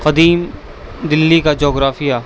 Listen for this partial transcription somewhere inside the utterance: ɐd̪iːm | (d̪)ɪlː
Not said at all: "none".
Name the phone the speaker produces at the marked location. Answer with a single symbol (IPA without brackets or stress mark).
d̪